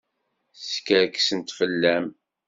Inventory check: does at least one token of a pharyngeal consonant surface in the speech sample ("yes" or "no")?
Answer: no